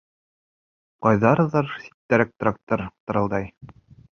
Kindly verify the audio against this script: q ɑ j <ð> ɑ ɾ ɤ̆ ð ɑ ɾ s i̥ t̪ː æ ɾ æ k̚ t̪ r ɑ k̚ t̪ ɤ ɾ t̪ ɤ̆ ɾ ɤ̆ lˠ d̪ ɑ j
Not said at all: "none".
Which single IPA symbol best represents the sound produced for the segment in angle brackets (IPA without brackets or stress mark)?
ð